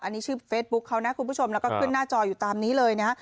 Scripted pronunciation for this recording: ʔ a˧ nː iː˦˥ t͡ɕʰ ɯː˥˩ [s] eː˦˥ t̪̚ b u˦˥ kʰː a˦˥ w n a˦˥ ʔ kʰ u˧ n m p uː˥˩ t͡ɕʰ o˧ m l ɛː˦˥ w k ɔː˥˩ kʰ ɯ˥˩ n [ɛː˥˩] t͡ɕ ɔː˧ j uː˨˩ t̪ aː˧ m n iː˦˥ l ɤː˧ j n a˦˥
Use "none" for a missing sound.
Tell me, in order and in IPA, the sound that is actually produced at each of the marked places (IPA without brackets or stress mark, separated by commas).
f, aː˥˩